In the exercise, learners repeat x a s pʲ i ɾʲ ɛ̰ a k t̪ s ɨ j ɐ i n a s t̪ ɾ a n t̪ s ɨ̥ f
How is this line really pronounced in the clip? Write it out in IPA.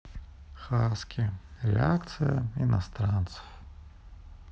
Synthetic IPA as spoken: x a s kʲ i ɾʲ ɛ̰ a k t̪ s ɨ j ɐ i n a s t̪ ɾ a n t̪ s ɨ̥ f